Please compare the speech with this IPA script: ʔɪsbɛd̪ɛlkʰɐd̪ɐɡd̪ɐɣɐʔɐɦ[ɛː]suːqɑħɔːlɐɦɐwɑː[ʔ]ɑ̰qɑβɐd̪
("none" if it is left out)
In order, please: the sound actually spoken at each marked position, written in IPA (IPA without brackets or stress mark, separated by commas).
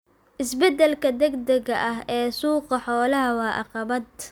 ɛː, ʔ